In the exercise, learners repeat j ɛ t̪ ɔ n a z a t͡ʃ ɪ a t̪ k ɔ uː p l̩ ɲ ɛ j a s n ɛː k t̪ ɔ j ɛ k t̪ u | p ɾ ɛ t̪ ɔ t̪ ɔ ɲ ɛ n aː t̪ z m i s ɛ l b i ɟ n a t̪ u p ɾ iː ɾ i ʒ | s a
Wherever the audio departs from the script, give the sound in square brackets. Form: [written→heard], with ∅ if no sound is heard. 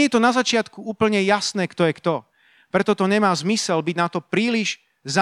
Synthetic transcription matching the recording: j ɛ t̪ ɔ n a z a t͡ʃ ɪ a t̪ k [ɔ→u] uː p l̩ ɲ ɛ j a s n ɛː k t̪ ɔ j ɛ k t̪ [u→ɔ] | p ɾ ɛ t̪ ɔ t̪ ɔ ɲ ɛ [n→m] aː [t̪→∅] z m i s ɛ l b i ɟ n a t̪ [u→ɔ] p ɾ iː [ɾ→l] i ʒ | [s→z] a